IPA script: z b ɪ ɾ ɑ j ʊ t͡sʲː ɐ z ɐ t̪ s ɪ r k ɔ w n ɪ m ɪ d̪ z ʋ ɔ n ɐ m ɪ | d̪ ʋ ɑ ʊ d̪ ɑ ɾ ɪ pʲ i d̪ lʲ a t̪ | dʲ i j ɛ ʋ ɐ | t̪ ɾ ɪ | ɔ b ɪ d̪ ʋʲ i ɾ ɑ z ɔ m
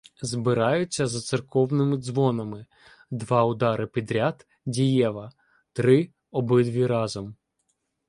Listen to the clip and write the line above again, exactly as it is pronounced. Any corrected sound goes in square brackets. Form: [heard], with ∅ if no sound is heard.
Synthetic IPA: z b ɪ ɾ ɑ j ʊ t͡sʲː ɐ z ɐ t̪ s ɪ r k ɔ w n ɪ m ɪ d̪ z ʋ ɔ n ɐ m ɪ | d̪ ʋ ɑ ʊ d̪ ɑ ɾ ɪ pʲ i d̪ [ɾʲ] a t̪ | dʲ i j ɛ ʋ ɐ | t̪ ɾ ɪ | ɔ b ɪ d̪ ʋʲ i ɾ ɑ z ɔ m